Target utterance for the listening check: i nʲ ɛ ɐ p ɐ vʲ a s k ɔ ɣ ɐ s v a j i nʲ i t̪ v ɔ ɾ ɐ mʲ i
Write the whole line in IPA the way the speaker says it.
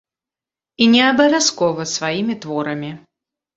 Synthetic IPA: i nʲ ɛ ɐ b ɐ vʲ a s k ɔ v ɐ s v a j i mʲ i t̪ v ɔ ɾ ɐ mʲ i